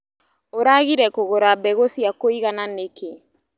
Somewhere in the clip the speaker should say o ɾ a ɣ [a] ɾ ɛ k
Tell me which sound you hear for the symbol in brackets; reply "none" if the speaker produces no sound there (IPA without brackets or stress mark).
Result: i